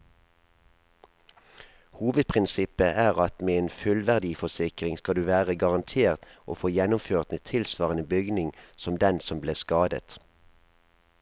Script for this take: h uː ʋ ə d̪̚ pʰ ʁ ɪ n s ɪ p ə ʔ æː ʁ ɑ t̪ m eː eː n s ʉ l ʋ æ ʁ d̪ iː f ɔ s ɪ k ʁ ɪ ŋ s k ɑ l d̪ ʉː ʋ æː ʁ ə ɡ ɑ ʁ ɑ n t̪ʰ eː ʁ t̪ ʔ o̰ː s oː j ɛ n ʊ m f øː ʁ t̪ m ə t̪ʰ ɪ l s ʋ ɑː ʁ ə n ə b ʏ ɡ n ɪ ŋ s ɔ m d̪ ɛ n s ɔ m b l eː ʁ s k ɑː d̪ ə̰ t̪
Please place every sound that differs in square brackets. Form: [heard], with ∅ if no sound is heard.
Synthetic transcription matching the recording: h uː ʋ ə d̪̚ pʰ ʁ ɪ n s ɪ p ə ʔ æː ʁ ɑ t̪ m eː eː n [f] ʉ l ʋ æ ʁ d̪ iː f ɔ s ɪ k ʁ ɪ ŋ s k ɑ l d̪ ʉː ʋ æː ʁ ə ɡ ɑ ʁ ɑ n t̪ʰ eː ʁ t̪ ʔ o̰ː [f] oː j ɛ n ʊ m f øː ʁ t̪ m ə t̪ʰ ɪ l s ʋ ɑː ʁ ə n ə b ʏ ɡ n ɪ ŋ s ɔ m d̪ ɛ n s ɔ m b l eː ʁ s k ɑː d̪ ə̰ t̪